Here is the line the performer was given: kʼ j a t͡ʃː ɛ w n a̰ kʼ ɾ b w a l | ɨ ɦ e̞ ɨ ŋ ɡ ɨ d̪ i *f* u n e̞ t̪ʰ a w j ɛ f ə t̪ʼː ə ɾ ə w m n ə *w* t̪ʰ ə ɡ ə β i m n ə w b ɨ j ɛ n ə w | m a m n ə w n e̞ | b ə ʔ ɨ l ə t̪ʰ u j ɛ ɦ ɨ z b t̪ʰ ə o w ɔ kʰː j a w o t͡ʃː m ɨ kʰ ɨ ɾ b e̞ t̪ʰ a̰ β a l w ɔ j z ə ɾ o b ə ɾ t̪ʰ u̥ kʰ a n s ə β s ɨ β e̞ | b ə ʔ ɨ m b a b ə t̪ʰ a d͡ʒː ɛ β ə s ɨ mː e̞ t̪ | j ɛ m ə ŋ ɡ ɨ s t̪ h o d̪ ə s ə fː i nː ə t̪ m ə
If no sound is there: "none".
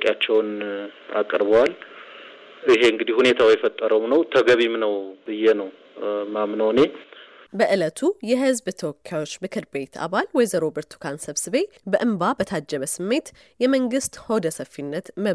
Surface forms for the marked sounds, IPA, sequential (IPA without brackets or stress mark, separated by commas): h, w